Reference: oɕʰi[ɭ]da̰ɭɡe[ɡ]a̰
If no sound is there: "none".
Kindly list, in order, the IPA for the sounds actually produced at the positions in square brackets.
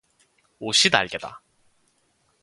none, d

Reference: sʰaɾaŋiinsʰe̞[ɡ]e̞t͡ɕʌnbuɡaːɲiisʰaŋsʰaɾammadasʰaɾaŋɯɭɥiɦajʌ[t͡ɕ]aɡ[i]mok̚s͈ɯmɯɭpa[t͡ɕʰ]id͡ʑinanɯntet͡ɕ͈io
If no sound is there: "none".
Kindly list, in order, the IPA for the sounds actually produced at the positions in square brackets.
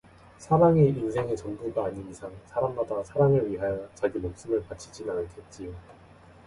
ŋ, t͡ɕ, i, t͡ɕʰ

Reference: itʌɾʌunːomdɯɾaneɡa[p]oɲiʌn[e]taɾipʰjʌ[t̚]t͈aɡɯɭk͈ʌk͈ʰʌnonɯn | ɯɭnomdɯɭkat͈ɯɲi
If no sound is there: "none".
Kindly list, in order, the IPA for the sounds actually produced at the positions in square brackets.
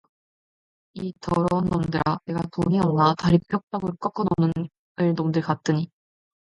t, a, k̚

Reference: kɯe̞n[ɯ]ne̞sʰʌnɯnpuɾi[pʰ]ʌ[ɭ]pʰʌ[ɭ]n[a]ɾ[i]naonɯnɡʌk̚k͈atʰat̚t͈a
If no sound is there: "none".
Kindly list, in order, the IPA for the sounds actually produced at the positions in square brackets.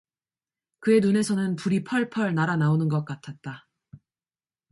u, pʰ, ɭ, ɭ, a, a

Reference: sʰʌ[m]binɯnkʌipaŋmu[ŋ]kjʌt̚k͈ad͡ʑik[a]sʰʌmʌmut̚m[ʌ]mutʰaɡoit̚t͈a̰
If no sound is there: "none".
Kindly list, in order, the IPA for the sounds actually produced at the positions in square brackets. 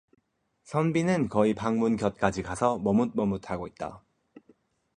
n, n, a, ʌ

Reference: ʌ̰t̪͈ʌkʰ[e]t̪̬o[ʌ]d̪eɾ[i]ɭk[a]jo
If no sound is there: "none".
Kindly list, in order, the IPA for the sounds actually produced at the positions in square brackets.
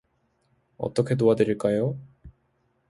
e, a, i, a

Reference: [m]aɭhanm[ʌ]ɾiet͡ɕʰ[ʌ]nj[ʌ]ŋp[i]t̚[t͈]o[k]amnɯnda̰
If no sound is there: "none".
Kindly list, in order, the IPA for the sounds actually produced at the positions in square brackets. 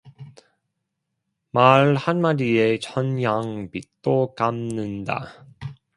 m, a, ʌ, a, i, t͈, k

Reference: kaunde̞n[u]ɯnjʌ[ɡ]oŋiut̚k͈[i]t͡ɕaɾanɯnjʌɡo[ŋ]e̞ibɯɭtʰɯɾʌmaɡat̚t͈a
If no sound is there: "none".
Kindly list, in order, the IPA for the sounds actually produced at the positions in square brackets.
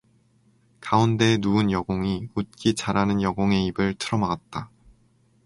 u, ɡ, i, ŋ

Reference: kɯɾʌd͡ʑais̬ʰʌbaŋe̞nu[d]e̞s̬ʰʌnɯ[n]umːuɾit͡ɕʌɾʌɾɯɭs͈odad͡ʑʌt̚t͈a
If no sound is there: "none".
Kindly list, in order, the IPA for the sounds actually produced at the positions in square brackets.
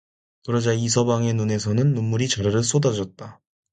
n, nː

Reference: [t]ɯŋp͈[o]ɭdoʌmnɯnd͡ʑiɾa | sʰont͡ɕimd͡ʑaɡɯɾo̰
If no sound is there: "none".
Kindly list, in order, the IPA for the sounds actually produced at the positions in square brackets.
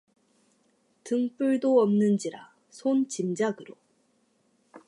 t, u

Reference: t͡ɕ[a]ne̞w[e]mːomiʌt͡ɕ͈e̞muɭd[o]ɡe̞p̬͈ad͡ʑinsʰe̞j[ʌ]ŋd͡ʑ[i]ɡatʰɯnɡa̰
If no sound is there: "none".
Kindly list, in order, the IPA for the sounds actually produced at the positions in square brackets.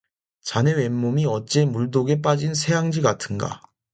a, e, o, a, i

